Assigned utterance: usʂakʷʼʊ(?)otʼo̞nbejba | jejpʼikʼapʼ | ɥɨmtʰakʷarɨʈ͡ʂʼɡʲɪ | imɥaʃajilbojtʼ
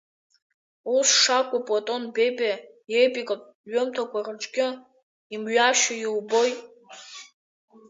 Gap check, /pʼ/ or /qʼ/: pʼ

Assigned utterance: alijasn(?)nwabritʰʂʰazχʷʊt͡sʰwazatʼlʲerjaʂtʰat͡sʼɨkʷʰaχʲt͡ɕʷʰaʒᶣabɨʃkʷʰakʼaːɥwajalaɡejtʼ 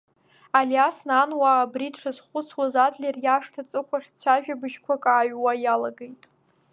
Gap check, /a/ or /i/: a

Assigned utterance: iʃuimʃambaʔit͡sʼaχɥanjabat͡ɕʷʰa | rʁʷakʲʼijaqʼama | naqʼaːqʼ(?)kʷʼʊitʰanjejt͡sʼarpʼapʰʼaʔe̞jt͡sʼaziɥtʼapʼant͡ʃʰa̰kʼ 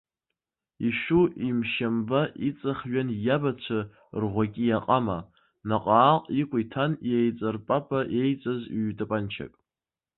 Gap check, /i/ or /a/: i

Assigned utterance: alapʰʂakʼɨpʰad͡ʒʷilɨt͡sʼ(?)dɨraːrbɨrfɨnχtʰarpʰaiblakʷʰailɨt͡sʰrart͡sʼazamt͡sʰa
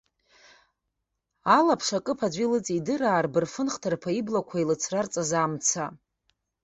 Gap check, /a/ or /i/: i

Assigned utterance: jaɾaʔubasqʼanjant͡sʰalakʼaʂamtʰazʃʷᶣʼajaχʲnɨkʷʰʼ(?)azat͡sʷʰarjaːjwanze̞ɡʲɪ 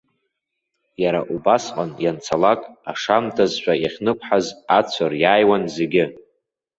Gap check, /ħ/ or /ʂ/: ħ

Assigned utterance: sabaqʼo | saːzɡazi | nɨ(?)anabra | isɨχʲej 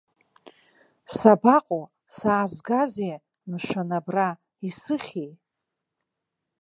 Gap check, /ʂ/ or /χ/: ʂ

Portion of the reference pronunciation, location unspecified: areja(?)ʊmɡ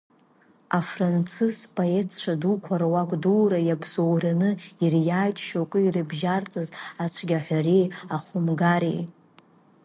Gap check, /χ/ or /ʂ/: χ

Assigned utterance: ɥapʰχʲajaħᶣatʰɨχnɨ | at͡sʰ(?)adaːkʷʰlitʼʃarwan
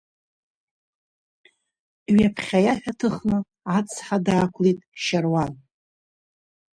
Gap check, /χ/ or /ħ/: ħ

